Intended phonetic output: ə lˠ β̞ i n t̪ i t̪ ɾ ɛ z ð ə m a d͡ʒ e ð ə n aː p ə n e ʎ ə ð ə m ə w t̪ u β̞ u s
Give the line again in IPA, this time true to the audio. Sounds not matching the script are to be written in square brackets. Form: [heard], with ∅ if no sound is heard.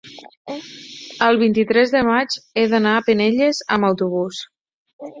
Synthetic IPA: ə lˠ β̞ i n t̪ i t̪ ɾ ɛ z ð ə m a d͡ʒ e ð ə n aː p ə n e ʎ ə [z] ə m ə w t̪ u β̞ u s